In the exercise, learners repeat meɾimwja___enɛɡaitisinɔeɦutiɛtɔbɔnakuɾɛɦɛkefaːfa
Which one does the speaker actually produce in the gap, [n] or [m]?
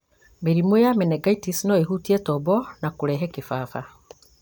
m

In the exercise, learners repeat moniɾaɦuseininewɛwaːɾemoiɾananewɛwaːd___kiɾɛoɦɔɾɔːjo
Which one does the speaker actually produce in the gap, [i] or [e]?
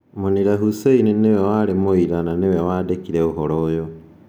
e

